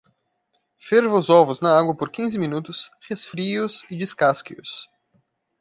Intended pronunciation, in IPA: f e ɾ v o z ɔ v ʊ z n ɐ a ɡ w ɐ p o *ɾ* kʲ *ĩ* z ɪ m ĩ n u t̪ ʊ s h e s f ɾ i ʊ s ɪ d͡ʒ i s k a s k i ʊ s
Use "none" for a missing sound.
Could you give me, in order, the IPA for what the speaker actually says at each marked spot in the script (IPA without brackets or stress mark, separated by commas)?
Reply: ɾ, ĩ